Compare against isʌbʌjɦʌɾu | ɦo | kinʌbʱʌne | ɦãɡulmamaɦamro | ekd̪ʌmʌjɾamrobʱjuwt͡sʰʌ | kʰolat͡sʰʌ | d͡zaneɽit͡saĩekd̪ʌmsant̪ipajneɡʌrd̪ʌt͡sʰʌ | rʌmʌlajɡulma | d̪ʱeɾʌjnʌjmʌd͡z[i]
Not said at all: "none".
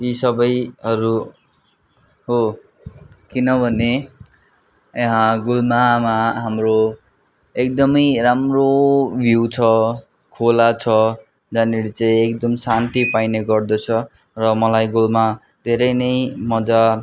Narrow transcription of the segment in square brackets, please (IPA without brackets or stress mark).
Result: a